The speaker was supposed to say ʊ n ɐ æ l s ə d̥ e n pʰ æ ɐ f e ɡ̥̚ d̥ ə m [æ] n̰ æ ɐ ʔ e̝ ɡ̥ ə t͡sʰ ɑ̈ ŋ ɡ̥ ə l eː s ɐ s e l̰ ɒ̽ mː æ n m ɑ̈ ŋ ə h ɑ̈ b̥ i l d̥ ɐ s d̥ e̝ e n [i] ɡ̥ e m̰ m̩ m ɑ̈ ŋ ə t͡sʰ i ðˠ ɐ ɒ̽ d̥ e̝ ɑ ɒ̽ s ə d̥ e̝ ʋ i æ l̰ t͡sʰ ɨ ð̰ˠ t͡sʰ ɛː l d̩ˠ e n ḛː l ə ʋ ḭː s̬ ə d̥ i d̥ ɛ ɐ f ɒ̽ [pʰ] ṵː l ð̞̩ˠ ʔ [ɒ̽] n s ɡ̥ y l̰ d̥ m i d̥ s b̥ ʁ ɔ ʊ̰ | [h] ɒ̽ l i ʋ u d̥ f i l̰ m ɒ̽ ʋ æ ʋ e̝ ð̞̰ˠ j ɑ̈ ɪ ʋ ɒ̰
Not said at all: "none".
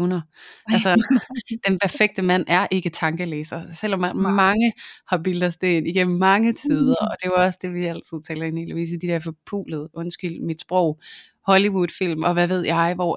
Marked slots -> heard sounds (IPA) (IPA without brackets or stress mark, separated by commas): æ, i, pʰ, ɔ̽, h